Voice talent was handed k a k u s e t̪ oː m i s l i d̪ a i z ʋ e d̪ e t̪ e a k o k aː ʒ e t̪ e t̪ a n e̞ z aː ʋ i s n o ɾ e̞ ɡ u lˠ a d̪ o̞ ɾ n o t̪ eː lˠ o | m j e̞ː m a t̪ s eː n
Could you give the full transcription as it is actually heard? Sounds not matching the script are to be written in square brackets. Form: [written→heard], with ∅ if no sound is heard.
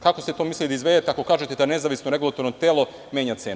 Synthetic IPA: k a k [u→o] s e t̪ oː m i s l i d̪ a i z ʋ e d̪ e t̪ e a k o k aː ʒ e t̪ e [t̪→d̪] a n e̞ z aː ʋ i s n o ɾ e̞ ɡ u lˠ a [d̪→t̪] o̞ ɾ n o t̪ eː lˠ o | m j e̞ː [m→ɲ] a t̪ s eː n